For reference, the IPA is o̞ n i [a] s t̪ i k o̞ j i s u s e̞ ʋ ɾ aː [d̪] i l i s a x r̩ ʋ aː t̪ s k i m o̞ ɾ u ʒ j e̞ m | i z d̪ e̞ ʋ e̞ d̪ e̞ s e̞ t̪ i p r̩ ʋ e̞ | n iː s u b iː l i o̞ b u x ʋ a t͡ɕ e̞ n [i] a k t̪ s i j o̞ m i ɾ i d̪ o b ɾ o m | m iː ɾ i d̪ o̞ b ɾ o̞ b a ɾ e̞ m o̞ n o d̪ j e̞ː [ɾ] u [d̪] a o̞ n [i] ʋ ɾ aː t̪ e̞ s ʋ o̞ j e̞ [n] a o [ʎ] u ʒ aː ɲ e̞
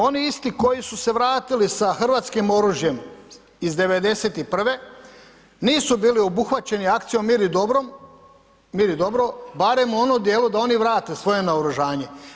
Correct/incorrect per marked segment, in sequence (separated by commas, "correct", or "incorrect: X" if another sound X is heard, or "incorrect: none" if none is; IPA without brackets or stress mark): incorrect: i, incorrect: t̪, correct, incorrect: l, correct, correct, correct, incorrect: ɾ